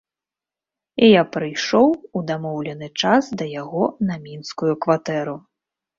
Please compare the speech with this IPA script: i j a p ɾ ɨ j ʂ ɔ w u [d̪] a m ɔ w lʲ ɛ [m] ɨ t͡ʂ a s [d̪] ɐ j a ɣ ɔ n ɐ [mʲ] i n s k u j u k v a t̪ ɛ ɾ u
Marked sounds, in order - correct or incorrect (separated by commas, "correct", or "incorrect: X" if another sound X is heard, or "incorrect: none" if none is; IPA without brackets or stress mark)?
correct, incorrect: n, correct, correct